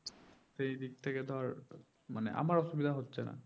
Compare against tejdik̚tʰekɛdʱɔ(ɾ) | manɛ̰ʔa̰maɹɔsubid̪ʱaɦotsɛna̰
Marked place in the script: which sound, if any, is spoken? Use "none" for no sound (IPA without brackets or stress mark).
ɹ